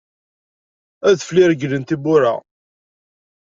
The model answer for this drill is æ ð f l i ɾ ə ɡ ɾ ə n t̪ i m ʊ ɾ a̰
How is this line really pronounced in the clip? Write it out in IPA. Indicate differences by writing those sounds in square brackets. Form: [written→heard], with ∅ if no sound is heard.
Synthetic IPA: æ ð f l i ɾ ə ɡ [ɾ→l] ə n t̪ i [m→b] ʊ ɾ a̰